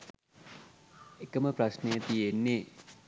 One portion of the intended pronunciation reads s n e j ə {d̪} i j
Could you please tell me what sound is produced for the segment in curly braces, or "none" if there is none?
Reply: t̪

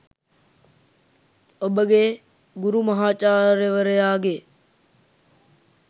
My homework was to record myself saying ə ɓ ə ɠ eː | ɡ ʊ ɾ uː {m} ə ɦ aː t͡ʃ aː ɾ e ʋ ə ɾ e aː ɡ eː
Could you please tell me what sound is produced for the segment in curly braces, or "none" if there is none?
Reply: m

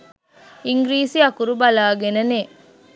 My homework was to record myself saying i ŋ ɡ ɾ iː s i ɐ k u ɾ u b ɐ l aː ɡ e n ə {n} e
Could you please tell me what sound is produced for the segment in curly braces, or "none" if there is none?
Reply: n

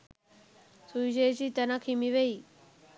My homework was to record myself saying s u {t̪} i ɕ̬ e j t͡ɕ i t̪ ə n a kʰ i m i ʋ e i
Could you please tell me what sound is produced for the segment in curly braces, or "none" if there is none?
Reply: none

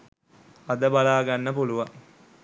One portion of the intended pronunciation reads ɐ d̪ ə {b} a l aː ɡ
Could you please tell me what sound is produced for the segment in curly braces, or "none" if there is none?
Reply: b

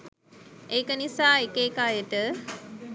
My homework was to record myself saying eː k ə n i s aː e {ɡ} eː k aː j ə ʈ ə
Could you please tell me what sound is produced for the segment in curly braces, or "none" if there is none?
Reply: k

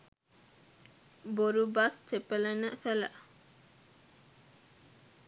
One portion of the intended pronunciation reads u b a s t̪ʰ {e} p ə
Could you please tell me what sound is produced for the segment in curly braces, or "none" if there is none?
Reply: e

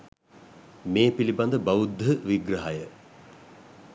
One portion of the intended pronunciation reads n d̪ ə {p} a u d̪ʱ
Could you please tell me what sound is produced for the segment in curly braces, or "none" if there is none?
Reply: b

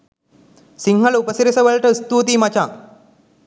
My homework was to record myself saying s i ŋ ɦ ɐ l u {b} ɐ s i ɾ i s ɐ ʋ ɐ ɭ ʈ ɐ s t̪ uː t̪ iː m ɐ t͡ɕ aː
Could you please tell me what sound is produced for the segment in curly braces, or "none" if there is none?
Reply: p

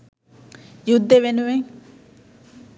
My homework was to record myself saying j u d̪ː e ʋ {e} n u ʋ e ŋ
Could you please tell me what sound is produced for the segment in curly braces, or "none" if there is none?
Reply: e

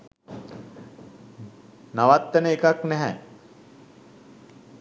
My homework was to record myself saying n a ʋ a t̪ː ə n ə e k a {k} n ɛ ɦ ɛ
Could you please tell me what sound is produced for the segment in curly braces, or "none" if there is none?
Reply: k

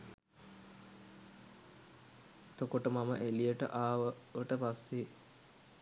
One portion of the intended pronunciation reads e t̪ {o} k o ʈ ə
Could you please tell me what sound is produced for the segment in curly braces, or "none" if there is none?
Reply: o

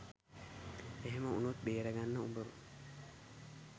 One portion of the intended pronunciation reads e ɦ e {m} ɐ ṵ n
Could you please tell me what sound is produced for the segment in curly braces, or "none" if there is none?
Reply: m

